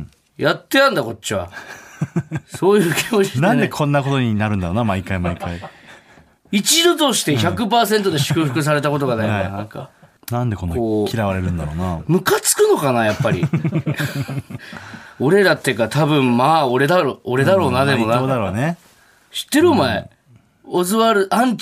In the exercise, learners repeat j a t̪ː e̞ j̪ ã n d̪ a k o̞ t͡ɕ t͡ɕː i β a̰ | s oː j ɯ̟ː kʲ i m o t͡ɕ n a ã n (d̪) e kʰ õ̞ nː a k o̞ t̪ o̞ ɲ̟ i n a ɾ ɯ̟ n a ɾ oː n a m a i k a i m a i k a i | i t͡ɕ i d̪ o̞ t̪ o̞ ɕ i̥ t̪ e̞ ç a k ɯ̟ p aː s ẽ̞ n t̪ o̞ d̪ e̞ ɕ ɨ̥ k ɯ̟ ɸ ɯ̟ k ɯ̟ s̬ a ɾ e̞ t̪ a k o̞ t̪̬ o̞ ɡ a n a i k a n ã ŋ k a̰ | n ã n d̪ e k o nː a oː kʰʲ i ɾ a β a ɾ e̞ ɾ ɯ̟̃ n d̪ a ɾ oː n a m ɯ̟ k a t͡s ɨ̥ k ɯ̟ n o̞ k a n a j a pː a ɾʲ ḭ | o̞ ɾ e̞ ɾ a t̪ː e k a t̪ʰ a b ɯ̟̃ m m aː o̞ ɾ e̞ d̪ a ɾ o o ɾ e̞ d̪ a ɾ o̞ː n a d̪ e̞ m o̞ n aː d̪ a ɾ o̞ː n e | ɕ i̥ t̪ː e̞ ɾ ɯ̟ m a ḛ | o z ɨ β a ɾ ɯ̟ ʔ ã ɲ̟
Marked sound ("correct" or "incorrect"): correct